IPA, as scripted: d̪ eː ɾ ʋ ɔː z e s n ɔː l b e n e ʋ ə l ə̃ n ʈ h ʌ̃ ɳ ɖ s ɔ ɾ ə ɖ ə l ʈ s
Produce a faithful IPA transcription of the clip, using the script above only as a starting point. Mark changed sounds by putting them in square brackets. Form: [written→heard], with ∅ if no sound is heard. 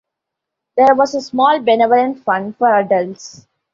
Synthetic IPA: d̪ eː ɾ ʋ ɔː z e s [n→m] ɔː l b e n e ʋ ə l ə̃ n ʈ [h→f] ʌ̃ ɳ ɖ [s→f] ɔ ɾ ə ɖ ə l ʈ s